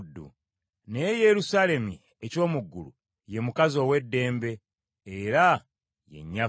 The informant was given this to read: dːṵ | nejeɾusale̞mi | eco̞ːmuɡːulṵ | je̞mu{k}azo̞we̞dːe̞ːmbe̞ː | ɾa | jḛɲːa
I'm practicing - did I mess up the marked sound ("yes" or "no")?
no